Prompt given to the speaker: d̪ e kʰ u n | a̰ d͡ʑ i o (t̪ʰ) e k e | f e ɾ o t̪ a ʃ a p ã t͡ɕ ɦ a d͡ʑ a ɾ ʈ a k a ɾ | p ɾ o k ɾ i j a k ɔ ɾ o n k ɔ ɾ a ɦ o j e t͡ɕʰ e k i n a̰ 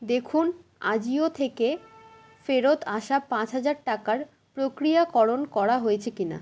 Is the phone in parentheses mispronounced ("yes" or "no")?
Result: no